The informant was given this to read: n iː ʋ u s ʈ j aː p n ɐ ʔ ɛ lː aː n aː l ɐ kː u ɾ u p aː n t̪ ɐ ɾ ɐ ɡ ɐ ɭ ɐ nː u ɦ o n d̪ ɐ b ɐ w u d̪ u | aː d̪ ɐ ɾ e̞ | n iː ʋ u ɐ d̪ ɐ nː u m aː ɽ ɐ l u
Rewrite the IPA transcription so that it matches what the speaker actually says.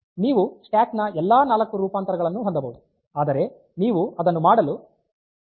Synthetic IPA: n iː ʋ u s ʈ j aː k n ɐ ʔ ɛ lː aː n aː l ɐ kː u ɾ uː p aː n t̪ ɐ ɾ ɐ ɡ ɐ ɭ ɐ nː u ɦ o n d̪ ɐ b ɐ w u d̪ u | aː d̪ ɐ ɾ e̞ | n iː ʋ u ɐ d̪ ɐ nː u m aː ɽ ɐ l u